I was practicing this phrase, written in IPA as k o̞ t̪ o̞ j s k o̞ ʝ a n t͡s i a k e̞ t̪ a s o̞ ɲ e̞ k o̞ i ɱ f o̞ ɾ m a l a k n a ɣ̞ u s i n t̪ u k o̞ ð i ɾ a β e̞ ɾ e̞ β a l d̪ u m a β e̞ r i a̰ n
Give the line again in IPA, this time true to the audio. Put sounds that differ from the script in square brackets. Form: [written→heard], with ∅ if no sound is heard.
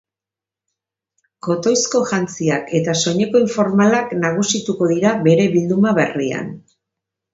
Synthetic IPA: k o̞ t̪ o̞ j s k o̞ ʝ a n t͡s i a k e̞ t̪ a s o̞ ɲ e̞ k o̞ i ɱ f o̞ ɾ m a l a k n a ɣ̞ u s i [n→∅] t̪ u k o̞ ð i ɾ a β e̞ ɾ e̞ β [a→i] l d̪ u m a β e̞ r i a̰ n